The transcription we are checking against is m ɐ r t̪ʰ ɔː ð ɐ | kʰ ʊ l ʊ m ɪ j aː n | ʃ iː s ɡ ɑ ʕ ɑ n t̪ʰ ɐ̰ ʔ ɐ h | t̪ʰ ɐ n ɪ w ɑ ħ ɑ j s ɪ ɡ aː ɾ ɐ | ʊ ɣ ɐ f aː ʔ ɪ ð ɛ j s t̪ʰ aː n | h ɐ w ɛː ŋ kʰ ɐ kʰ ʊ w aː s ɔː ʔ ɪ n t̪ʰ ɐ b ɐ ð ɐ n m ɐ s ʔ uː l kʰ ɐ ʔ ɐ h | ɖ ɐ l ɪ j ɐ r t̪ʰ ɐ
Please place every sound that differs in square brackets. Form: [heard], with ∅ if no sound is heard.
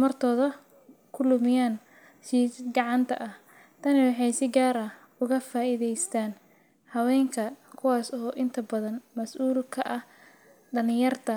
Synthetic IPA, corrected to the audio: m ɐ r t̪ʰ ɔː ð ɐ | kʰ ʊ l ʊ m ɪ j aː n | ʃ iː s ɡ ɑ ʕ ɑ n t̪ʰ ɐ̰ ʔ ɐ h | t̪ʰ ɐ n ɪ w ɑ ħ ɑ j s ɪ ɡ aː ɾ ɐ | ʊ ɣ ɐ f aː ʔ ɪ ð ɛ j s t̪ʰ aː n | h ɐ w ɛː ŋ kʰ ɐ kʰ ʊ w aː s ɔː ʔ ɪ n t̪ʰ ɐ b ɐ ð ɐ n m ɐ s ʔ uː l kʰ ɐ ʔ ɐ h | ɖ ɐ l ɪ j ɐ r t̪ʰ ɐ